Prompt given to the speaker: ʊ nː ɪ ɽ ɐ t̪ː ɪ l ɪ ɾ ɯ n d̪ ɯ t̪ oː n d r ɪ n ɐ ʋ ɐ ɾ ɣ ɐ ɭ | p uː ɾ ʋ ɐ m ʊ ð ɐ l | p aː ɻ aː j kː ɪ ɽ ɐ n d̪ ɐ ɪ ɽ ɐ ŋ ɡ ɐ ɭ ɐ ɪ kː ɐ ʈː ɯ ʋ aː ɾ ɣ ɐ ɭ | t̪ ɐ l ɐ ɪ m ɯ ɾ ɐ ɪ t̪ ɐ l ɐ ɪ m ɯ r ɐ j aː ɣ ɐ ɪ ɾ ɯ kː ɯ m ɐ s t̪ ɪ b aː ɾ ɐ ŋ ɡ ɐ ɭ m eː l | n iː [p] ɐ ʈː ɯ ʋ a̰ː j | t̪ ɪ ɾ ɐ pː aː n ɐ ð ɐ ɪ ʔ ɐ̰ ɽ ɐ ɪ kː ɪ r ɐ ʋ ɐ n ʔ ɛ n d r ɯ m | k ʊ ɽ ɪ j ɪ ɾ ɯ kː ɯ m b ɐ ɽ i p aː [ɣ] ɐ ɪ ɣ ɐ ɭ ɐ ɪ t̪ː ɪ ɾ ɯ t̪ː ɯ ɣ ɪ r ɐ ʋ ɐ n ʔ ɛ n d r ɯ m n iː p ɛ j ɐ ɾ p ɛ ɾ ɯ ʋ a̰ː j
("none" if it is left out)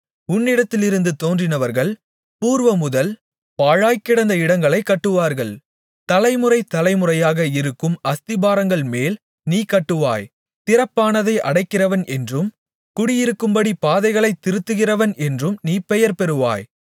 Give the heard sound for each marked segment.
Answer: k, ð

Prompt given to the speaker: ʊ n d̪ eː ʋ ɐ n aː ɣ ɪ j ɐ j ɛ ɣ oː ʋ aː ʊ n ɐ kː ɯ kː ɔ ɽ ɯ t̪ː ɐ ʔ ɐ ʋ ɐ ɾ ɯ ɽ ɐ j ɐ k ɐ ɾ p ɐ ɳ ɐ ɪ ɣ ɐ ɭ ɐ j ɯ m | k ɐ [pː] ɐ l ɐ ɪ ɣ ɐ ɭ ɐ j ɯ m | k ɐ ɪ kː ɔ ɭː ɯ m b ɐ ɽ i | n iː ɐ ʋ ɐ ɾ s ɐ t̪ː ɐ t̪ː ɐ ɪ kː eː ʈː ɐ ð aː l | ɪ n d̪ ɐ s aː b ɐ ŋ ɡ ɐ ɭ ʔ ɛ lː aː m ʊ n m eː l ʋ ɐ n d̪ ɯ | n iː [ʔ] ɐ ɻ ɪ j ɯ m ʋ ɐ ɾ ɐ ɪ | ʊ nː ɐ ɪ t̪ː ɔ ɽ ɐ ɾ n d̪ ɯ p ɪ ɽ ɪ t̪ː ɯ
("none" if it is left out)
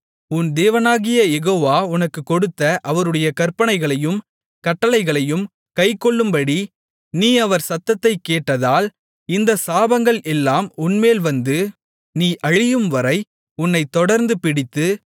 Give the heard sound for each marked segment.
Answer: ʈː, ʔ

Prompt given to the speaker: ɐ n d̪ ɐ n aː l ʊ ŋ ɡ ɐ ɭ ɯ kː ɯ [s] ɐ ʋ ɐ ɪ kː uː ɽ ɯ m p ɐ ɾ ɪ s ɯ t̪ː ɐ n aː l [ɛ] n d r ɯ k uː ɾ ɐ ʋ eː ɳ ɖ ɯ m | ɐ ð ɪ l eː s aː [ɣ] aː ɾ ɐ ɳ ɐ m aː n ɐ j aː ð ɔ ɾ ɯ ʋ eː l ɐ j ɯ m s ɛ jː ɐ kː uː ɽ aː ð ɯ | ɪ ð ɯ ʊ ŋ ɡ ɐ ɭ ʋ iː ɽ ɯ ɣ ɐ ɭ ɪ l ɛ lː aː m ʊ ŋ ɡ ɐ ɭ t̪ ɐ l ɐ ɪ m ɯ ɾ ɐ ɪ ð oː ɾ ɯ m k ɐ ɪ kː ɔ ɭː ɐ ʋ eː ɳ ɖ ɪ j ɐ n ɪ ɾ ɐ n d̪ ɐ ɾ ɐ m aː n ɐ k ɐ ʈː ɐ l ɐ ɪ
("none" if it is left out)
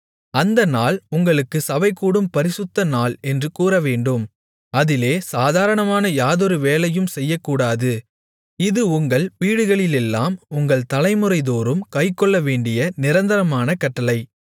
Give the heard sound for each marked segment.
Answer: s, ɛ, ð

